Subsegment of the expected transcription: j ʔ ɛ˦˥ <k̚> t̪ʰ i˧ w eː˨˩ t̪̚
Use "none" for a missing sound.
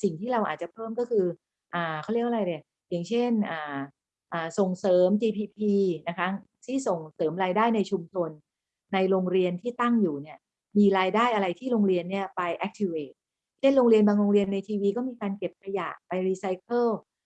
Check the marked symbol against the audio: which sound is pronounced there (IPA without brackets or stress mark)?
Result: k̚